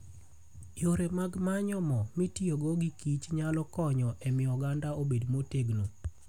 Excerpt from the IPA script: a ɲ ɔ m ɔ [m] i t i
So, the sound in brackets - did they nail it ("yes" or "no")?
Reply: yes